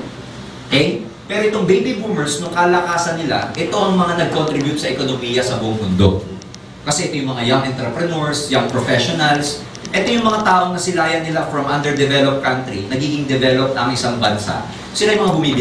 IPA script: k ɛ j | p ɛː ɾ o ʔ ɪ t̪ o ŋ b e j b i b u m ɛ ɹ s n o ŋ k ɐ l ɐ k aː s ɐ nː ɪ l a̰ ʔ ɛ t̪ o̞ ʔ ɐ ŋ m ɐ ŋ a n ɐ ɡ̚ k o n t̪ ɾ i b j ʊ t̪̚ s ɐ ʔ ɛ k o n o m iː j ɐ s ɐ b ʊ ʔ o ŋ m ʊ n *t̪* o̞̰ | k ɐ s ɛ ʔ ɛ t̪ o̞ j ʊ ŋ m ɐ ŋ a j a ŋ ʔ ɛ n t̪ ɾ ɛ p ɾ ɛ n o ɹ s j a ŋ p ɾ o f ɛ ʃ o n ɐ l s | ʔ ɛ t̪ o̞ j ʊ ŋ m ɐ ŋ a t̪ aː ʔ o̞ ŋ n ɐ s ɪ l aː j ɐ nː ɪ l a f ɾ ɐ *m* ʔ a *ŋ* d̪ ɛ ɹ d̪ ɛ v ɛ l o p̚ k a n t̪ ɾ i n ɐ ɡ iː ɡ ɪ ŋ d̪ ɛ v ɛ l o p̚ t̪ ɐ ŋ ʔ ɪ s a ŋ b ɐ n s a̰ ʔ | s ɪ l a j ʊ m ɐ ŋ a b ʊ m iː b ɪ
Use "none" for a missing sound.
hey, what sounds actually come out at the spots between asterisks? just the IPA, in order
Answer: d̪, m, n

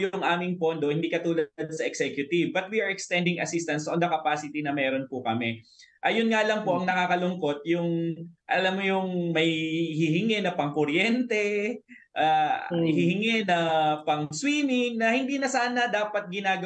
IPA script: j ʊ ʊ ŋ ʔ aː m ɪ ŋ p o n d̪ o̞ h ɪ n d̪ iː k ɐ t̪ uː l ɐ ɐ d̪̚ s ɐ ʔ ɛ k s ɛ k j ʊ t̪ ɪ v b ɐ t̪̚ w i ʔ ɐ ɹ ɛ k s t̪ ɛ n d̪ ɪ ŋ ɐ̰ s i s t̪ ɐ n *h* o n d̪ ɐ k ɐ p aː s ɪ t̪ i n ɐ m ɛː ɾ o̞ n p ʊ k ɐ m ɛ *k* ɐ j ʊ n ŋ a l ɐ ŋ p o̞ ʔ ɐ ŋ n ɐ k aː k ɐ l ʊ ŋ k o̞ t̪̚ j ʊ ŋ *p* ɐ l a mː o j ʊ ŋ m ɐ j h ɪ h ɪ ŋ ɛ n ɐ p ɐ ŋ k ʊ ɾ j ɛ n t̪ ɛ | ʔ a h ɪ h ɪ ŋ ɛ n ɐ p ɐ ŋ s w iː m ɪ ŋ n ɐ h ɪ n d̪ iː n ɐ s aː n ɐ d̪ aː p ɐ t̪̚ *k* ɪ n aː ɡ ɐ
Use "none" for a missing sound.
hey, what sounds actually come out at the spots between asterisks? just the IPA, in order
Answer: s, ʔ, ʔ, ɡ

